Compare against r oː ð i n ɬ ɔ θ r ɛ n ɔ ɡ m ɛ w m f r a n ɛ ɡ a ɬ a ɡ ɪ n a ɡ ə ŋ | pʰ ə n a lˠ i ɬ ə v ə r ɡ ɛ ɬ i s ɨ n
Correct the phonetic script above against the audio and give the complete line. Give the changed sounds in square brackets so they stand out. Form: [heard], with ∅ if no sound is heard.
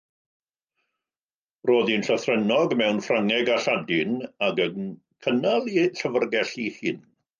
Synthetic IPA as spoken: r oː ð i n ɬ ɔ θ r ɛ n ɔ ɡ m ɛ w [n] f r a [ŋ] ɛ ɡ a ɬ a [d] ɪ n a ɡ ə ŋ | [kʰ] ə n a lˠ i ɬ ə v ə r ɡ ɛ ɬ i [h] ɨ n

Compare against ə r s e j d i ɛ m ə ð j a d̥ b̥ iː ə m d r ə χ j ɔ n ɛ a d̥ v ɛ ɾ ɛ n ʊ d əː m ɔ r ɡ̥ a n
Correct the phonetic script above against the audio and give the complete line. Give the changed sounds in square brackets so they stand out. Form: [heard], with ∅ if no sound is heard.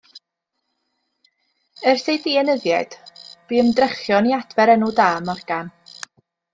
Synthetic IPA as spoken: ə r s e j d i ɛ [n] ə ð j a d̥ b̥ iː ə m d r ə χ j ɔ n [i] a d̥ v ɛ ɾ ɛ n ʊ d [aː] m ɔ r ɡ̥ a n

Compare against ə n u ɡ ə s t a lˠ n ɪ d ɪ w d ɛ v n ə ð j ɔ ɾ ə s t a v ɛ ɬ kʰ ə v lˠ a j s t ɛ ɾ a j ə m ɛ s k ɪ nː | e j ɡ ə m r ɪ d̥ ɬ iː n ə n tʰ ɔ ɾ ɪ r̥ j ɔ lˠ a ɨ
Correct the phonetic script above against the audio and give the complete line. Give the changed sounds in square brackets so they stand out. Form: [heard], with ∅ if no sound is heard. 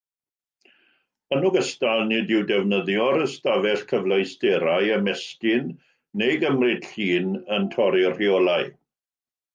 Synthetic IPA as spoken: ə n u ɡ ə s t a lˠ n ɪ d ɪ w d ɛ v n ə ð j ɔ ɾ ə s t a v ɛ ɬ kʰ ə v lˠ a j s t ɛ ɾ a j ə m ɛ s k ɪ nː | e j ɡ ə m r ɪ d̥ ɬ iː n ə n tʰ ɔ ɾ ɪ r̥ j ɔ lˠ a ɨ

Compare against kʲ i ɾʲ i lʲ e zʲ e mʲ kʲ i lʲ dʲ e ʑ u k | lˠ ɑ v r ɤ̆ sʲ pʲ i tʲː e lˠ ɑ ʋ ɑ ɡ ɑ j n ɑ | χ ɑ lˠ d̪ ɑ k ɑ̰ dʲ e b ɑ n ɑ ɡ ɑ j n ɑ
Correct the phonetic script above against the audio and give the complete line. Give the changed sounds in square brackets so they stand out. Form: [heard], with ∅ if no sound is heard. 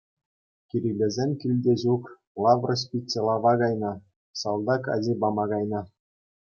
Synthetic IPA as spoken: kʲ i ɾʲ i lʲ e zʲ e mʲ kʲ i lʲ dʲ e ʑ u k | lˠ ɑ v r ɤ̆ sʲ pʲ i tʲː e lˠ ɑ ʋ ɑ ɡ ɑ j n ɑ | [s] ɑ lˠ d̪ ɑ k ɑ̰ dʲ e b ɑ [m] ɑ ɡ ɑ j n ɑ

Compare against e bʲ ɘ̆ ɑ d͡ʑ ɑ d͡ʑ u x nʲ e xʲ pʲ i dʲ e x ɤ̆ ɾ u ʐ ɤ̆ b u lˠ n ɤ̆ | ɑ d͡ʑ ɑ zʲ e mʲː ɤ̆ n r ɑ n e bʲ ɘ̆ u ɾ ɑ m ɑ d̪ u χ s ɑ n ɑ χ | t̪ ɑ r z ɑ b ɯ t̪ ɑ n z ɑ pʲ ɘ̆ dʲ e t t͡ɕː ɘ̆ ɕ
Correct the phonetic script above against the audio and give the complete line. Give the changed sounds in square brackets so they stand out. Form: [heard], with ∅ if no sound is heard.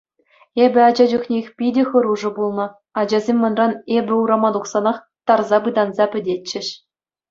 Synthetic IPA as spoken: e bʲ ɘ̆ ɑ d͡ʑ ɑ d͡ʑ u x nʲ e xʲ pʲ i dʲ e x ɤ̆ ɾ u ʐ ɤ̆ b u lˠ n ɤ̆ | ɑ d͡ʑ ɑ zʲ e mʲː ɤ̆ n r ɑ n e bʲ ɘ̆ u ɾ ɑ m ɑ d̪ u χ s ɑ n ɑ χ | t̪ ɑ r z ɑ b ɯ [d̪] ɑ n z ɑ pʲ ɘ̆ dʲ e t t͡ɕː ɘ̆ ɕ

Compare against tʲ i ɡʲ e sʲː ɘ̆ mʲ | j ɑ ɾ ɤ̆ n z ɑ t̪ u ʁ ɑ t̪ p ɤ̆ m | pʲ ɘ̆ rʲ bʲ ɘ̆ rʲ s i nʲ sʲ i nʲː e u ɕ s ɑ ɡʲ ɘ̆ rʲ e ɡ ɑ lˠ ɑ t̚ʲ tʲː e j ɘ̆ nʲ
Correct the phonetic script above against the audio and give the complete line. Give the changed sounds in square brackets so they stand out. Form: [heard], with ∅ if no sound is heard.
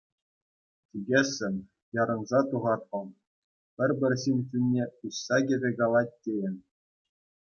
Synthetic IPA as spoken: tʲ i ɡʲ e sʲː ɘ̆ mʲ | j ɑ ɾ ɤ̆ n z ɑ t̪ u ʁ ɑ t̪ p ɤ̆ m | pʲ ɘ̆ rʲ bʲ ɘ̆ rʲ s i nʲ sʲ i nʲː e u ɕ s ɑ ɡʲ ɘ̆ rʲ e ɡ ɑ lˠ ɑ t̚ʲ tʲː e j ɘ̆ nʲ

